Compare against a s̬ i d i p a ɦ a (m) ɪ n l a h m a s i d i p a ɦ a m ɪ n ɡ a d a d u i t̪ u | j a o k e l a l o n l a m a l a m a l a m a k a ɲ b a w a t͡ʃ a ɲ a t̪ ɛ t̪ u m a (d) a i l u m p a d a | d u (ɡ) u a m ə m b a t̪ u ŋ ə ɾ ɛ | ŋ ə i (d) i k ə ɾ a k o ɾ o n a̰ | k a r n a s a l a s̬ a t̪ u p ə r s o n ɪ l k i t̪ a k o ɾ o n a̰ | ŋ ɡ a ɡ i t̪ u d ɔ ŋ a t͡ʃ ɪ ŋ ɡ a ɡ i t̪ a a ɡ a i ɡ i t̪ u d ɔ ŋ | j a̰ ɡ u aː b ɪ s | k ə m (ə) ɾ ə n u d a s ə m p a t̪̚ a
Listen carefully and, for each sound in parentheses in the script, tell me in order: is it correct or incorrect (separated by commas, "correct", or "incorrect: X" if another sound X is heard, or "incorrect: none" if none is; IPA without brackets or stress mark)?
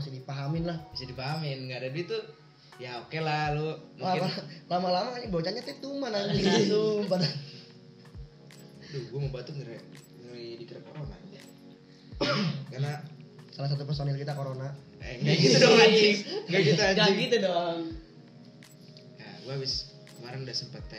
correct, incorrect: n, correct, correct, incorrect: a